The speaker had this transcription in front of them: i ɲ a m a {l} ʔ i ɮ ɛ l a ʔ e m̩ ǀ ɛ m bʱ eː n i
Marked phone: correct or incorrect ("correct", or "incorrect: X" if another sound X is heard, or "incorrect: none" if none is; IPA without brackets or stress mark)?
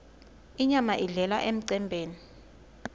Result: incorrect: none